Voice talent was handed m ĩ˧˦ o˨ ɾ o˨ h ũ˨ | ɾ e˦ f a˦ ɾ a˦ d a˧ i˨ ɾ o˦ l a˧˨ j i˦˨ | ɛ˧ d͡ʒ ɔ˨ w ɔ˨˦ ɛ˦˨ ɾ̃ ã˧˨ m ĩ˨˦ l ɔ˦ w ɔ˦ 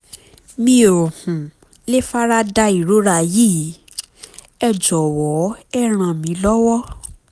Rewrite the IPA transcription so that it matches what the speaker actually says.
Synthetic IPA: m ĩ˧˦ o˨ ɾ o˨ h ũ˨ | l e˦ f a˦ ɾ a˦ d a˧ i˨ ɾ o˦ ɾ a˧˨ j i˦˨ | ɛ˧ d͡ʒ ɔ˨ w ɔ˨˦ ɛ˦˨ ɾ̃ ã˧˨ m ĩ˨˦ l ɔ˦ w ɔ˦